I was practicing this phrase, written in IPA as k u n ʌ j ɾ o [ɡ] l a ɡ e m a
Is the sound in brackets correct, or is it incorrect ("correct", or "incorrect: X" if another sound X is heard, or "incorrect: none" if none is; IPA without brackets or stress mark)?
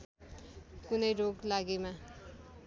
correct